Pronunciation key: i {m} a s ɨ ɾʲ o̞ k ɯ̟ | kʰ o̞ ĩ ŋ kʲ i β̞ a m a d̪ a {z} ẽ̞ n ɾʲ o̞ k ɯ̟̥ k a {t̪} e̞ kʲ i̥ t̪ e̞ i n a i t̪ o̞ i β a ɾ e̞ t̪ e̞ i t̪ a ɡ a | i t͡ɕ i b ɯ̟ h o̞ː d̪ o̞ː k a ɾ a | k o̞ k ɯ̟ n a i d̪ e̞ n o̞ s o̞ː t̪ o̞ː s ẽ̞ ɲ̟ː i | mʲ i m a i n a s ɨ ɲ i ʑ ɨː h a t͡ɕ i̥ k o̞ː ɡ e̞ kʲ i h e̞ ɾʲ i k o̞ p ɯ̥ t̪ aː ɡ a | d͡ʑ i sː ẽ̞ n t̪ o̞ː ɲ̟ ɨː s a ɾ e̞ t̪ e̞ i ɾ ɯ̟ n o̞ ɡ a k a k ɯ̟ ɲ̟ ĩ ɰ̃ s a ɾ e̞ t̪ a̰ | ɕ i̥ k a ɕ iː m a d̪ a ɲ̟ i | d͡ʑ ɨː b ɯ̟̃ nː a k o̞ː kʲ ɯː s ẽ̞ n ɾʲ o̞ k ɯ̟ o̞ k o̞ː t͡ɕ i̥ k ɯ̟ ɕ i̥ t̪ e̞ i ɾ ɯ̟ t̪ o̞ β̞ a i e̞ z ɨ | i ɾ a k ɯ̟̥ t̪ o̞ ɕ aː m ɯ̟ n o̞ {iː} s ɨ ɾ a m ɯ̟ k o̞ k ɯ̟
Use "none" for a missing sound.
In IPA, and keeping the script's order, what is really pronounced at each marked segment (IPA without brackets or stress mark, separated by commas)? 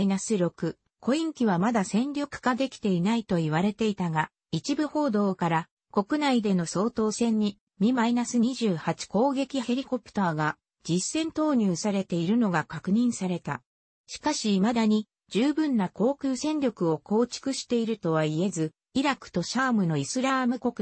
n, s, d̪, i